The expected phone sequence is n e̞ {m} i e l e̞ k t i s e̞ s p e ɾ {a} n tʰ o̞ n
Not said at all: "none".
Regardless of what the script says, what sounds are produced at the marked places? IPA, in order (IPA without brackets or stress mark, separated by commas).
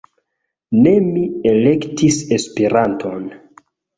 m, a